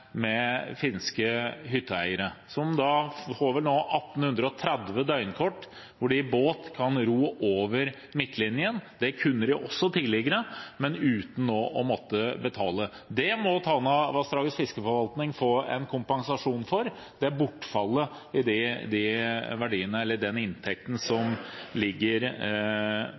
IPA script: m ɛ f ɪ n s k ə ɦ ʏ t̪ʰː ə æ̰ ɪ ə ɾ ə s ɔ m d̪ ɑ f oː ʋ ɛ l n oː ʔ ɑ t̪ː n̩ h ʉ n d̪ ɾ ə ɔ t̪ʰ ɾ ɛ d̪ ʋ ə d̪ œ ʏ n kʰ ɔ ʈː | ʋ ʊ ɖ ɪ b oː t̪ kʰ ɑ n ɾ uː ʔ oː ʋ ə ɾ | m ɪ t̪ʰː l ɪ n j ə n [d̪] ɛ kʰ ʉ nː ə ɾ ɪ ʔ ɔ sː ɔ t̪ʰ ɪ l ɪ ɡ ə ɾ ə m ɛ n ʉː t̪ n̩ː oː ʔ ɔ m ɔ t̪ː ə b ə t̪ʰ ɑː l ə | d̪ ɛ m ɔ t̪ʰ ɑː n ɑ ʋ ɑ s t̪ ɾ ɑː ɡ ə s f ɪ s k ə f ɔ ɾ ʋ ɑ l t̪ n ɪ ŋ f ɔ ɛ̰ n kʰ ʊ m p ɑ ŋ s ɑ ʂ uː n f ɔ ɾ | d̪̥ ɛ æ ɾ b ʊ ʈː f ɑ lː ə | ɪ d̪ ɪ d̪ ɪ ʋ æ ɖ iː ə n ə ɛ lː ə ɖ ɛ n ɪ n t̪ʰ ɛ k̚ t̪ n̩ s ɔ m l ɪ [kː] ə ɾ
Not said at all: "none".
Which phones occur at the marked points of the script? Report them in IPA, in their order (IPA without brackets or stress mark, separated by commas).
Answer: d̪, ɡː